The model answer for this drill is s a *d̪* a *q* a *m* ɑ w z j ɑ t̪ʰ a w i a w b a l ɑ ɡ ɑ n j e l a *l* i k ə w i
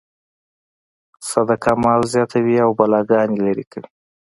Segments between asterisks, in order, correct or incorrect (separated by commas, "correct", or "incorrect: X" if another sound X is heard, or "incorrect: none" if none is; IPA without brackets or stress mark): correct, incorrect: k, correct, incorrect: ɾ